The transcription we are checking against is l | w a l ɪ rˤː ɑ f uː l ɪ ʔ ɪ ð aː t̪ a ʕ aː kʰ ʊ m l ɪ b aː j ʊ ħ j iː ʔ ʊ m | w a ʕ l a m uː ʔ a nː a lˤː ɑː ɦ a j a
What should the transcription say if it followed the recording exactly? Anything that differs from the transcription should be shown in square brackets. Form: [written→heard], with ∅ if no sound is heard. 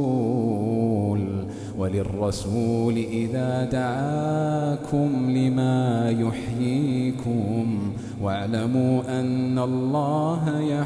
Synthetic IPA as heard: l | w a l ɪ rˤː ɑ [f→s] uː l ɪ ʔ ɪ ð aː [t̪→d̪] a ʕ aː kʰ ʊ m l ɪ [b→m] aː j ʊ ħ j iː [ʔ→k] ʊ m | w a ʕ l a m uː ʔ a nː a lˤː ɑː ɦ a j a